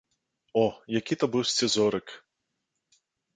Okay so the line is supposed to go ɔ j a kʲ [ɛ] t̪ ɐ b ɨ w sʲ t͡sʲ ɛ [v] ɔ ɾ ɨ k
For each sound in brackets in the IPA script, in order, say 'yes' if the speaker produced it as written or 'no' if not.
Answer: no, no

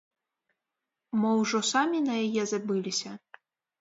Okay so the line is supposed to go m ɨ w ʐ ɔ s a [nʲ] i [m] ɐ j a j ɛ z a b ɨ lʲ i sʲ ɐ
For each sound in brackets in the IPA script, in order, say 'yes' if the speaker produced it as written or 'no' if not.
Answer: no, no

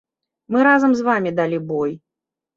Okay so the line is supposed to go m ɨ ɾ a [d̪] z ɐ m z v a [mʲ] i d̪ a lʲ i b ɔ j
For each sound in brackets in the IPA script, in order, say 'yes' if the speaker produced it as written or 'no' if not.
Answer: no, yes

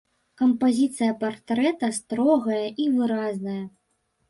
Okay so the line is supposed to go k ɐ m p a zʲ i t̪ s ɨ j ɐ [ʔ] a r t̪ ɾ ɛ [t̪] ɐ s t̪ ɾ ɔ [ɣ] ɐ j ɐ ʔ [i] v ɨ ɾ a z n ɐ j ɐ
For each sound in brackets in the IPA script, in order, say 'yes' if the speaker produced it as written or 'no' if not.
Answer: no, yes, yes, yes

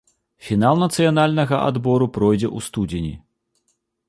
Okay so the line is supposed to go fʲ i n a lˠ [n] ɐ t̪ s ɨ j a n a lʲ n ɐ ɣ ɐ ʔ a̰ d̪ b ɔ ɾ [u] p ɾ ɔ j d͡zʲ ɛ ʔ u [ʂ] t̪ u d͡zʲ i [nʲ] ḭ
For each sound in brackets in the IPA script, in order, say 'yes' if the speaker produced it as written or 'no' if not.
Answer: yes, yes, no, yes

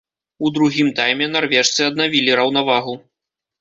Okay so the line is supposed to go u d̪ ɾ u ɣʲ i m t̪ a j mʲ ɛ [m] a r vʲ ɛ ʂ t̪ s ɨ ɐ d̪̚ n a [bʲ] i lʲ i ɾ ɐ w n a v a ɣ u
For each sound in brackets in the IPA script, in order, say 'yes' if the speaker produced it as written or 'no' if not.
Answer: no, no

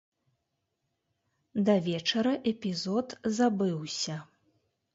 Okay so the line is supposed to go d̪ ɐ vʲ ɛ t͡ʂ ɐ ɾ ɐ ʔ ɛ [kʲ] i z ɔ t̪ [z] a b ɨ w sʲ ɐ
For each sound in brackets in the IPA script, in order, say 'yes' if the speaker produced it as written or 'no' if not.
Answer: no, yes

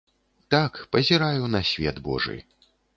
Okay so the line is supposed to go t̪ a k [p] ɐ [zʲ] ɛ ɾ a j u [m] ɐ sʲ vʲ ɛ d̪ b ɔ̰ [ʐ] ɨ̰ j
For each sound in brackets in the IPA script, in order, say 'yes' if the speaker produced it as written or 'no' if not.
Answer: yes, yes, no, yes

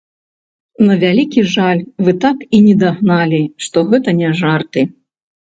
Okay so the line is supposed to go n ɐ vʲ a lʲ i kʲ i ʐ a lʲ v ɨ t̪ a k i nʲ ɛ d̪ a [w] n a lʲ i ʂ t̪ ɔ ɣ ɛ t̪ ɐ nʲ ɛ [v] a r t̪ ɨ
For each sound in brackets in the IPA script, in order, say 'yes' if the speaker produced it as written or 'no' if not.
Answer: no, no

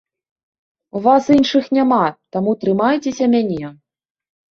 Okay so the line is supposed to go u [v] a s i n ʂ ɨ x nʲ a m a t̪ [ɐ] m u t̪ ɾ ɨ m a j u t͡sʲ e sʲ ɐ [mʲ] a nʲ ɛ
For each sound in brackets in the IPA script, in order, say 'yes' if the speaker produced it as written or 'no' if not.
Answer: yes, no, yes

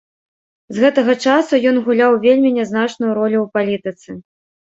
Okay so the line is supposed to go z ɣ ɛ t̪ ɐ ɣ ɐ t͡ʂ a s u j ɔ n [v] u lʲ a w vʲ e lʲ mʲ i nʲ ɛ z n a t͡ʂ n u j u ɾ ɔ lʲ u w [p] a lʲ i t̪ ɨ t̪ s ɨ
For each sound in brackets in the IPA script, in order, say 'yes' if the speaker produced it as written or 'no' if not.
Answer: no, yes

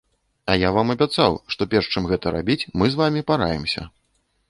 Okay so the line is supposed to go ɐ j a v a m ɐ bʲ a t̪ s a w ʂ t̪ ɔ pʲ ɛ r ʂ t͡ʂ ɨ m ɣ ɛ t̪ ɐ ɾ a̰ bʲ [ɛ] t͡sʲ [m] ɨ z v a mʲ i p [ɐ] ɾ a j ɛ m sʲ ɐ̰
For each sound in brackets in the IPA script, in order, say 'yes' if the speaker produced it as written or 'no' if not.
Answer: no, yes, no

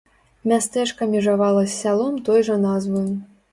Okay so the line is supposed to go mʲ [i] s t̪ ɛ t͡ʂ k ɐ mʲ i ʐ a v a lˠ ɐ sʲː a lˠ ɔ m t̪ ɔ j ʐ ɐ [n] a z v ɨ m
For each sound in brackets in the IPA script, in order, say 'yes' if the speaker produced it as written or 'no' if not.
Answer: no, yes

